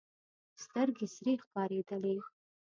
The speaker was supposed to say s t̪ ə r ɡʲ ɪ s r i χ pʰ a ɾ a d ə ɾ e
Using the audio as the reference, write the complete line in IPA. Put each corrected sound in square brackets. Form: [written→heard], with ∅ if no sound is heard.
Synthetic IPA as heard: s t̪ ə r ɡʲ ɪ s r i χ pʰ a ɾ [a→e] d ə [ɾ→l] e